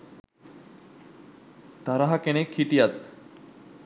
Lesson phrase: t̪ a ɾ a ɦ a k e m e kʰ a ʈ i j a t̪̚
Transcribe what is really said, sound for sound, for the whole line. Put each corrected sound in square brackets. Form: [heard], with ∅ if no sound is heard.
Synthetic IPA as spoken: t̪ a ɾ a ɦ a k e [n] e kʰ [i] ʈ i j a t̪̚

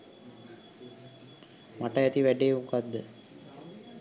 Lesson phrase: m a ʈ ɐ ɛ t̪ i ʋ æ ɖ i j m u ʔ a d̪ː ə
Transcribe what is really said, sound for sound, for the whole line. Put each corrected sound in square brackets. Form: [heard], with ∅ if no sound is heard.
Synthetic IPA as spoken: m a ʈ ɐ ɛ t̪ i ʋ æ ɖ [e] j m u [k] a d̪ː ə

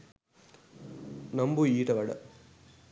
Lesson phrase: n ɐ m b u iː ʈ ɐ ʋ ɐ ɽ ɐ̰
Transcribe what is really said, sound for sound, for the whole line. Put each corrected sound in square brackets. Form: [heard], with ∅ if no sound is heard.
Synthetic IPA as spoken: n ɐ m b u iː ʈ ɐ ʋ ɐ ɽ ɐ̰

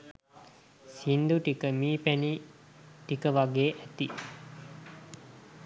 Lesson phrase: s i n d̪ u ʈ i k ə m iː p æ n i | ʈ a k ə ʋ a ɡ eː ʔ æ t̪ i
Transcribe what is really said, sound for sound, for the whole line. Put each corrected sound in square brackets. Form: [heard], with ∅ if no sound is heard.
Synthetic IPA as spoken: s i n d̪ u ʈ i k ə m iː p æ n i | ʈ [i] k ə ʋ a ɡ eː ʔ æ t̪ i

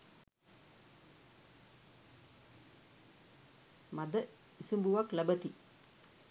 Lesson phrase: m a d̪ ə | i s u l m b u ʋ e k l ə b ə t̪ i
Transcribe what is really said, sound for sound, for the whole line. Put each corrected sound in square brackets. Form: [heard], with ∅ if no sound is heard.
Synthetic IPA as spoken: m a d̪ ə | i s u [∅] m b u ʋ [a] k l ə b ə t̪ i

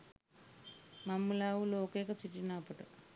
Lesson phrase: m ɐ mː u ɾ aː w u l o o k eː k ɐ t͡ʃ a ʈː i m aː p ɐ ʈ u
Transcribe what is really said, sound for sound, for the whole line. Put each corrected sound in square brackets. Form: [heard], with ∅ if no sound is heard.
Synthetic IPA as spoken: m ɐ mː u [l] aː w u l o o k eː k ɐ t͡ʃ [i] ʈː i [n] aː p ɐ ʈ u

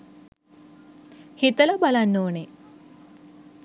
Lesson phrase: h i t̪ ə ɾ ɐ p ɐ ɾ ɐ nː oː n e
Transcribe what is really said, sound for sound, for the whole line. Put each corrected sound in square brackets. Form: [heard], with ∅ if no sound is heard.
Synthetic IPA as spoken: h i t̪ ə [l] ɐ [b] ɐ [l] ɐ nː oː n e

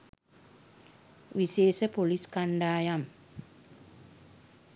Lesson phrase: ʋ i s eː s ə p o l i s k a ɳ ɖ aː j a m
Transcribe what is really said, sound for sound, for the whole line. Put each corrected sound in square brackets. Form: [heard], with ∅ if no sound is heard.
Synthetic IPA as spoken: ʋ i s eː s ə p o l i s k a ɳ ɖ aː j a m

